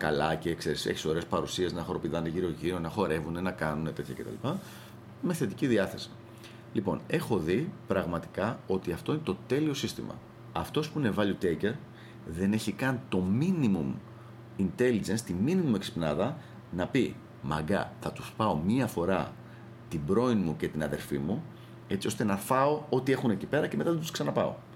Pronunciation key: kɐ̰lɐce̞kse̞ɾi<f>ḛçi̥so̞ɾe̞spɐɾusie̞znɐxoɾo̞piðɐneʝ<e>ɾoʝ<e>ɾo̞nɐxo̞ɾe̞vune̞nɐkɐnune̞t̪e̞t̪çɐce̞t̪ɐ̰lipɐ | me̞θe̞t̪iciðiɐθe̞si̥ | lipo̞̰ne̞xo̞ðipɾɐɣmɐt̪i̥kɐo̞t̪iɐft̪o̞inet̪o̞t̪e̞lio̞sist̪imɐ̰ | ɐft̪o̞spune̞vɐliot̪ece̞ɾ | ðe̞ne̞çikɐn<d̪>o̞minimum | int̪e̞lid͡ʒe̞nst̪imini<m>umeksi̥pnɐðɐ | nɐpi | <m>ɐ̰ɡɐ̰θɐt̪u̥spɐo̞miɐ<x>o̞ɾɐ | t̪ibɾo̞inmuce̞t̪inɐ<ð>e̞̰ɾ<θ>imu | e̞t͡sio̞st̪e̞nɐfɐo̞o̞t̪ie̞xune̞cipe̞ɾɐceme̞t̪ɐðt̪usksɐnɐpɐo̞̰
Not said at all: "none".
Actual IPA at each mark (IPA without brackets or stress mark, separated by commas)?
s, i, i, t̪, m, m, f, ð, f